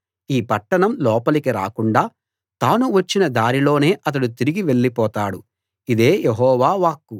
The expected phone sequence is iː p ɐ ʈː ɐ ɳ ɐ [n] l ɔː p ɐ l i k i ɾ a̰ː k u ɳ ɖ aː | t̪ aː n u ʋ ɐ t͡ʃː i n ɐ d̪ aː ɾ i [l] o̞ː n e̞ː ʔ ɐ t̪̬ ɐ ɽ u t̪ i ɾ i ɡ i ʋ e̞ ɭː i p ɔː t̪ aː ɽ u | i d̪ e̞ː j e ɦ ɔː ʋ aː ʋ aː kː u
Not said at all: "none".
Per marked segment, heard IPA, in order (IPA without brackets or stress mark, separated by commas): m, l